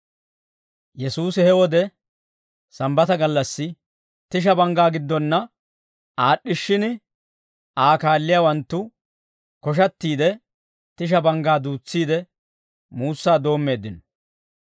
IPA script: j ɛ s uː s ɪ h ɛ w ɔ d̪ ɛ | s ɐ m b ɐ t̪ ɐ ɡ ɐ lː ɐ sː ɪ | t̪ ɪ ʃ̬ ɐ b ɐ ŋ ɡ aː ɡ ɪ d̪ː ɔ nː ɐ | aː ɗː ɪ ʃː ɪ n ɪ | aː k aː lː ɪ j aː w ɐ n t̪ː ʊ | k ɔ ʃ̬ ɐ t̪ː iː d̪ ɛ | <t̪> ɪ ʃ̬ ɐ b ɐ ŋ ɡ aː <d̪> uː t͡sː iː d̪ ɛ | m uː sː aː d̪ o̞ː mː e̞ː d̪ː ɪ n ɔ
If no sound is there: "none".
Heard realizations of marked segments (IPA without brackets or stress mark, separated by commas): t̪, d̪